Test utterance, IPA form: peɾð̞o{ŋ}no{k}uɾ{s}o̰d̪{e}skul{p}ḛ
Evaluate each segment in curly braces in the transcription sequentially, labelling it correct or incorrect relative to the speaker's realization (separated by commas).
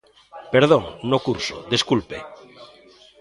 correct, correct, correct, correct, correct